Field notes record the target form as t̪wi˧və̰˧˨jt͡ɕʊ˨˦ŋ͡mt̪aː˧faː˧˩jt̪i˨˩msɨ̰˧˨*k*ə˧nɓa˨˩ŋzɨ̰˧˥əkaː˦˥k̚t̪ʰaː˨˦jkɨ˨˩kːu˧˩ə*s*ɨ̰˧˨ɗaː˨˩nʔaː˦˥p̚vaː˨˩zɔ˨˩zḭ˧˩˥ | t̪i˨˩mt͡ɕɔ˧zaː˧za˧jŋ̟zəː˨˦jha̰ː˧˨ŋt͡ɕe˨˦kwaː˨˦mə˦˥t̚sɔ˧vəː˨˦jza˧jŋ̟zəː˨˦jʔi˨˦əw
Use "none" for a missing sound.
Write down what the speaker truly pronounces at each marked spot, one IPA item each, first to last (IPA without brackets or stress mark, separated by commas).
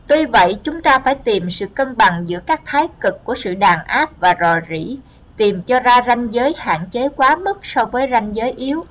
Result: k, s